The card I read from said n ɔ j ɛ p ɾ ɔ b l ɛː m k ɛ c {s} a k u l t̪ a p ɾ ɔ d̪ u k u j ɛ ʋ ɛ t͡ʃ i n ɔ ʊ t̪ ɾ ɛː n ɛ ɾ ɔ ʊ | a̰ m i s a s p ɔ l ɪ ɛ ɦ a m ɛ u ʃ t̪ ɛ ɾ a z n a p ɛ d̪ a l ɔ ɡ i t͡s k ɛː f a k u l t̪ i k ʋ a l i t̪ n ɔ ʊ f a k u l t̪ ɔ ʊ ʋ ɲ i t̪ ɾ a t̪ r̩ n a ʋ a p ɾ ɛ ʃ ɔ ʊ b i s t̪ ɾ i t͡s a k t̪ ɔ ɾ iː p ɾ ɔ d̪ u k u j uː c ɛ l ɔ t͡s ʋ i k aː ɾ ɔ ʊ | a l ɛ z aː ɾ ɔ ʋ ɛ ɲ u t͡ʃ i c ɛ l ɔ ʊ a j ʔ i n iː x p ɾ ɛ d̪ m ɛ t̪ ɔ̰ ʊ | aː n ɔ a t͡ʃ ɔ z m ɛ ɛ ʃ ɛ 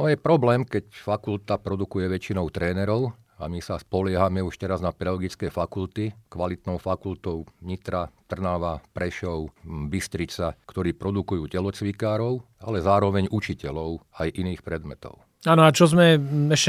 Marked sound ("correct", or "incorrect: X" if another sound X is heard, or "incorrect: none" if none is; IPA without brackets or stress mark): incorrect: f